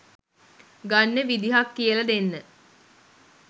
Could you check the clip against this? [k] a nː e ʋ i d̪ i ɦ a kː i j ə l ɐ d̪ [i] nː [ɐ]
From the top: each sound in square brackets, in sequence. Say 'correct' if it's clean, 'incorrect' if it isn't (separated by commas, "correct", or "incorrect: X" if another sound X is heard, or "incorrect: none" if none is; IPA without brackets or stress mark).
incorrect: ɡ, incorrect: e, incorrect: ə